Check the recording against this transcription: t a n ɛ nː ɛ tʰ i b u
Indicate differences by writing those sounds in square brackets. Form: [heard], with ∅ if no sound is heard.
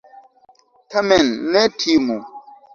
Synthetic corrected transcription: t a [m] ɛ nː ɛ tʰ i [m] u